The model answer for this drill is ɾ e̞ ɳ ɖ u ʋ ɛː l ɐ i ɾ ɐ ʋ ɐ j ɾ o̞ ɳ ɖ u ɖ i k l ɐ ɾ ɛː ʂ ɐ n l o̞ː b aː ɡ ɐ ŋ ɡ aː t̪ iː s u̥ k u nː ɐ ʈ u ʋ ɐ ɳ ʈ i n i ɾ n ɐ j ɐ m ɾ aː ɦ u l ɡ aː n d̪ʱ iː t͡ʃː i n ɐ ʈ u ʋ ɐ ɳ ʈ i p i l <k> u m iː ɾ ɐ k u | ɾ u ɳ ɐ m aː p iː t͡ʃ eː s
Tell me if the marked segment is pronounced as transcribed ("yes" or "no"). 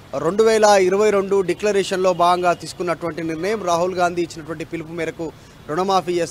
no